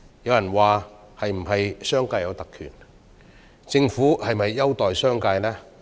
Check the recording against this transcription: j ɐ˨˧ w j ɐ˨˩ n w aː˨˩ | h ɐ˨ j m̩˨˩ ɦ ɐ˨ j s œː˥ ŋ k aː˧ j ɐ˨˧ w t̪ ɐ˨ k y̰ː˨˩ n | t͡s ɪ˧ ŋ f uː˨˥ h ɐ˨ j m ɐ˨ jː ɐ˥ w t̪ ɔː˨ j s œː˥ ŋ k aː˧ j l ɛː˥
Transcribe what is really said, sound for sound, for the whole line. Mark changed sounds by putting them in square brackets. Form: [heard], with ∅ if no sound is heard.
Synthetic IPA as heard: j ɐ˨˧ w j ɐ˨˩ n w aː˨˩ | h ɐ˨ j m̩˨˩ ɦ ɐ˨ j s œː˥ ŋ k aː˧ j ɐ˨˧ w t̪ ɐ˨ [kʰ] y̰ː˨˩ n | t͡s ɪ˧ ŋ f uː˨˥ h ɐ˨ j m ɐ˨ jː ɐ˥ w t̪ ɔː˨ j s œː˥ ŋ k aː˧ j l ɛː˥